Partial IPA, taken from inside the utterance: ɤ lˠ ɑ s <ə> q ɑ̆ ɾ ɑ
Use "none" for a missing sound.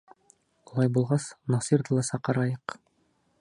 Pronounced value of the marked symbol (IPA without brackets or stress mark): ɑ